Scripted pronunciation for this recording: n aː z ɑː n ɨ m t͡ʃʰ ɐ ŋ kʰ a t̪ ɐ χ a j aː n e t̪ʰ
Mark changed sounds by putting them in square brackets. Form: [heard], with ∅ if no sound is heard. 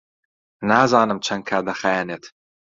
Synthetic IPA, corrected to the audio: n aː z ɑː n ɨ m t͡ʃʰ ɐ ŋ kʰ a [d̪] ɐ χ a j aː n e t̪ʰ